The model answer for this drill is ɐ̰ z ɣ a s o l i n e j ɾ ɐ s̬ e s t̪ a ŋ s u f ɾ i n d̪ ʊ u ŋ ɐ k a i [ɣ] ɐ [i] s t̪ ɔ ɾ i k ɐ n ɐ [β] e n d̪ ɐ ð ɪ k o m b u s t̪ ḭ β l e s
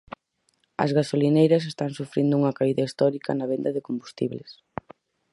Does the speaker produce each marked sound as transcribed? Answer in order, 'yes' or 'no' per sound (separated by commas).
no, yes, yes